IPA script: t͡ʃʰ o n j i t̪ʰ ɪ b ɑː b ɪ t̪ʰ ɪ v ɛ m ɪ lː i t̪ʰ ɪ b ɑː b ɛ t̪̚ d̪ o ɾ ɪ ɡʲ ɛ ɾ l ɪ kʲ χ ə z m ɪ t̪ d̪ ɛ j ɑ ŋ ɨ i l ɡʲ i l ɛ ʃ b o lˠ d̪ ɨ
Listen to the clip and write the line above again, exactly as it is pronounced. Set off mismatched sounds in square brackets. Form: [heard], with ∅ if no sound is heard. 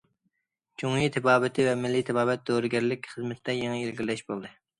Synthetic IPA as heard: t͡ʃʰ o [ŋ] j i t̪ʰ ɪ b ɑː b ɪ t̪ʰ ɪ v ɛ m ɪ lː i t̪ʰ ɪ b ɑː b ɛ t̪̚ d̪ o ɾ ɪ ɡʲ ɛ ɾ l ɪ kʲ χ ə z m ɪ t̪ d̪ ɛ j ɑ ŋ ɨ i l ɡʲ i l ɛ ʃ b o lˠ d̪ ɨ